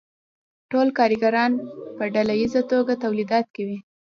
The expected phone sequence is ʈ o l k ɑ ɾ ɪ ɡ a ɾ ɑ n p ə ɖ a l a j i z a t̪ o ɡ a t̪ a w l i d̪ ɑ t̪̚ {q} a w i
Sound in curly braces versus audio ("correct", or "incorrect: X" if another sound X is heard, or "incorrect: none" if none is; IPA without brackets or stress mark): incorrect: k